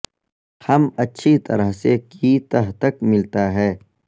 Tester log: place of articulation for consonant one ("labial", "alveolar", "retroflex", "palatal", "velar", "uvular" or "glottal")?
glottal